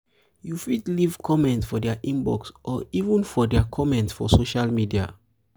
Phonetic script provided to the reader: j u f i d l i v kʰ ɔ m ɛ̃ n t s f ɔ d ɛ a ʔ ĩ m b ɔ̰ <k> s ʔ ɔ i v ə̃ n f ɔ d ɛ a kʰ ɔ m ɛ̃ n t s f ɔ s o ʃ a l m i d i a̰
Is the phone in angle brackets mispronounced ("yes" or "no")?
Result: no